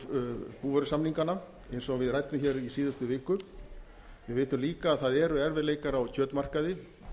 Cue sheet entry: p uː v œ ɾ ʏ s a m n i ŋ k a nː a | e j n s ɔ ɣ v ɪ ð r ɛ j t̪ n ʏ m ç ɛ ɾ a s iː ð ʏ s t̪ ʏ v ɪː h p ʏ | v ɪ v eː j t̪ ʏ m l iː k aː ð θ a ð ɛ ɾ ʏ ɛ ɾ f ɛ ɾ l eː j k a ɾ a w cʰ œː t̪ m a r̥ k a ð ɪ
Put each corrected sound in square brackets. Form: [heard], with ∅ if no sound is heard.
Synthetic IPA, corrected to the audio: p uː v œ ɾ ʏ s a m n i ŋ k a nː a | e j n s ɔ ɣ v ɪ ð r [a] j t̪ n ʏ m ç ɛ ɾ [i] s iː ð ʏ s t̪ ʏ v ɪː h [k] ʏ | v ɪ v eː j t̪ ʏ m l iː k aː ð θ a ð ɛ ɾ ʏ ɛ ɾ [v] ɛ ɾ l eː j k a ɾ a w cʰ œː t̪ m a r̥ k a ð ɪ